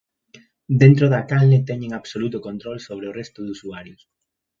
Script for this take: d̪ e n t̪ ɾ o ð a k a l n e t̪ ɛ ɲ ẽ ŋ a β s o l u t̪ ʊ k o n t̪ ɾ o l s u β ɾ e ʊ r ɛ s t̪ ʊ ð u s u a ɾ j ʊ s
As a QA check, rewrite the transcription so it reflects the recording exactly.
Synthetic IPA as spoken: d̪ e n t̪ ɾ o ð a k a l n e t̪ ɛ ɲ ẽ ŋ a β s o l u t̪ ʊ k o n t̪ ɾ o l s o β ɾ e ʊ r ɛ s t̪ ʊ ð u s u a ɾ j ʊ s